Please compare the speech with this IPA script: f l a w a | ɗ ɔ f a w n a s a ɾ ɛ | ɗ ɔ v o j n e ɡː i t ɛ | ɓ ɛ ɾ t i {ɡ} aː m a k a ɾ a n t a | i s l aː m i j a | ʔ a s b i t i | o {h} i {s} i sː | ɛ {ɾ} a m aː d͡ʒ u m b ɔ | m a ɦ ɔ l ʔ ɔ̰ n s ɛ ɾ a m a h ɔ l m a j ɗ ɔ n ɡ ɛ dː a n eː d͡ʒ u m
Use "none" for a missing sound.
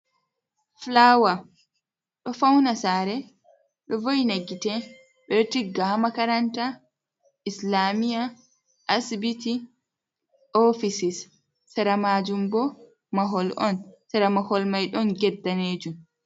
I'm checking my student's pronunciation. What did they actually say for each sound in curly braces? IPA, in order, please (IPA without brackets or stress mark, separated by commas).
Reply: ɡ, f, s, ɾ